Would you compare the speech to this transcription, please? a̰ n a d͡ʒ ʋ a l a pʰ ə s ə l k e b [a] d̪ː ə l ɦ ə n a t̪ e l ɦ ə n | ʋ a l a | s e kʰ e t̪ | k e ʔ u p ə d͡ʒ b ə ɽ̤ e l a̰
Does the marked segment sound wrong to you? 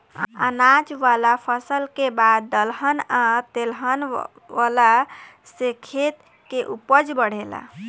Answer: no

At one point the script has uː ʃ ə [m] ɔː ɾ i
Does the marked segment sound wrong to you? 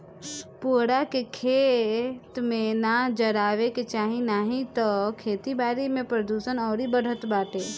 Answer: yes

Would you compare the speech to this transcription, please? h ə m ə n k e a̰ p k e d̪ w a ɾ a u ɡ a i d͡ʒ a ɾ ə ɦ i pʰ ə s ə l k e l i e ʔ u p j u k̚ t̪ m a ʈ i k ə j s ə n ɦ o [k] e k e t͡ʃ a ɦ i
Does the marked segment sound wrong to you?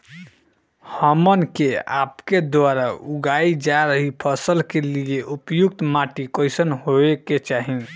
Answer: yes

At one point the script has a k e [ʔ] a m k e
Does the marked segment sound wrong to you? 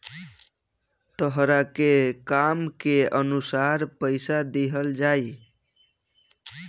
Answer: yes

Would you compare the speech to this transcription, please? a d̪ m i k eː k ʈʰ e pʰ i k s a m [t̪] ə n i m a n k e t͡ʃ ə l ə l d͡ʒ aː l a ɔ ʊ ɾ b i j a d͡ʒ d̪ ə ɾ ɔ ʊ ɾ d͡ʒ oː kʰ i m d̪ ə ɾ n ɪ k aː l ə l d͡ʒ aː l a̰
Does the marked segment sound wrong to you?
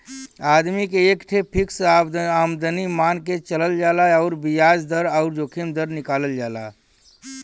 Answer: yes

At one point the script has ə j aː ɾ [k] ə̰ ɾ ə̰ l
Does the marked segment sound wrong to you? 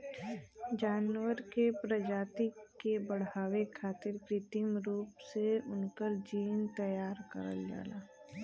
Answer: no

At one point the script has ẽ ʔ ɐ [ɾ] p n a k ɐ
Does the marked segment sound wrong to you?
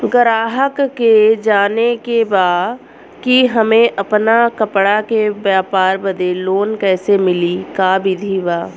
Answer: yes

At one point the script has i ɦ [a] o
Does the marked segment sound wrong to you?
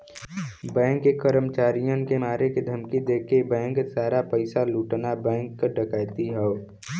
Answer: yes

